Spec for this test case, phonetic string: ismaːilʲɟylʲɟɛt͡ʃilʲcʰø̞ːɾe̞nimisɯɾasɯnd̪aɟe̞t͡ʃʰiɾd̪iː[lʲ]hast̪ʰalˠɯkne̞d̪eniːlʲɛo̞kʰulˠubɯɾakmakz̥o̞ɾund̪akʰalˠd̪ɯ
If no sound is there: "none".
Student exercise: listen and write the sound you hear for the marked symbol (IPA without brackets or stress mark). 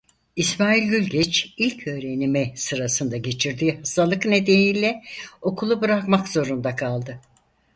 none